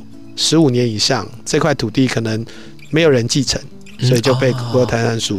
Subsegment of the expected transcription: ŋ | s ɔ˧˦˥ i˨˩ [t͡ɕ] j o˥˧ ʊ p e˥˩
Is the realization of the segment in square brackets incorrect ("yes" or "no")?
no